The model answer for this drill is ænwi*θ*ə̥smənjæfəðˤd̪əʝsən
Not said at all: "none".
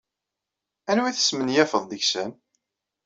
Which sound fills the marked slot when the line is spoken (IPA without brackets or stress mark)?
θ